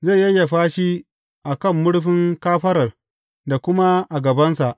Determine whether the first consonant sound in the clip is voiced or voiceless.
voiced